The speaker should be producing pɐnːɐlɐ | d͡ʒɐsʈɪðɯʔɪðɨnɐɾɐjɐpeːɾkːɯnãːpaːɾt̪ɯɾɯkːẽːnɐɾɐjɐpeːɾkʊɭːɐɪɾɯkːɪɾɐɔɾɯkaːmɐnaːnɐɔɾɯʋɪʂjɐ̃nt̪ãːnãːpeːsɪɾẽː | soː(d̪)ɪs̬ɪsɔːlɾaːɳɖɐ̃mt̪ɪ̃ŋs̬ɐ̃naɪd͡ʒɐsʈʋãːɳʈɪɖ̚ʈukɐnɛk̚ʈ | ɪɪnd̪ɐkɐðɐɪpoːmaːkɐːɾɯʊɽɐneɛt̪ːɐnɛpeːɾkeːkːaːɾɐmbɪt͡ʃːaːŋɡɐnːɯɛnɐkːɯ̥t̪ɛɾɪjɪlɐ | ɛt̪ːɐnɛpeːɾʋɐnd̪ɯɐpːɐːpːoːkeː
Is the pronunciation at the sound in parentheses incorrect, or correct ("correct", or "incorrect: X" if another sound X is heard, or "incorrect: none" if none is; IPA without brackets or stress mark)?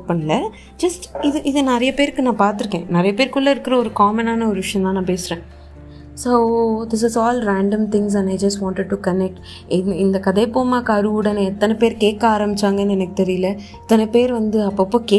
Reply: correct